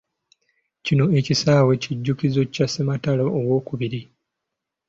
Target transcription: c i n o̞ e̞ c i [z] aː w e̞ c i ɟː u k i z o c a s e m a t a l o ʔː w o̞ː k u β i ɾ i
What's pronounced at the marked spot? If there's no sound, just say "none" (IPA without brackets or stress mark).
s